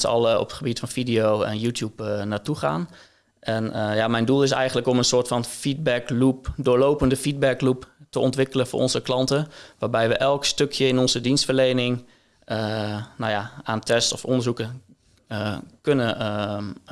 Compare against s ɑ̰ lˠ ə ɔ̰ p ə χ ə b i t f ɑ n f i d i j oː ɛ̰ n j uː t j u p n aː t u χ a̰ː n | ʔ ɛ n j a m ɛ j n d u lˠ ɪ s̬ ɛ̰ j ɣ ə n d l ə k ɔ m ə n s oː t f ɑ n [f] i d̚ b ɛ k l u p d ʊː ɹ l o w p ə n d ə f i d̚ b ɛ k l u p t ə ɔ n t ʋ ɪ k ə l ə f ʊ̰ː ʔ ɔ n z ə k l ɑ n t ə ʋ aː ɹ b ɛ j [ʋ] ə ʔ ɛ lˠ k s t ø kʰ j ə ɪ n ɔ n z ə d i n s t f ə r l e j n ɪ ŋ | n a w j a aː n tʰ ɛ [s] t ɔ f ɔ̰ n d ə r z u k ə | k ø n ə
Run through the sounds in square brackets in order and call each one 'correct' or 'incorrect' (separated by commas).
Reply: correct, correct, correct